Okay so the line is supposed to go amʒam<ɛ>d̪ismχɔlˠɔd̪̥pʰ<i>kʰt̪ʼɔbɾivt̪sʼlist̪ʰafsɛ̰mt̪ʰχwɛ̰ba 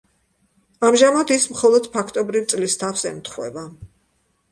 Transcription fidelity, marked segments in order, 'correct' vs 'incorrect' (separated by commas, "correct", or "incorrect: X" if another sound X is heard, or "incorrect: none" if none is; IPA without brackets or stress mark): incorrect: a, incorrect: a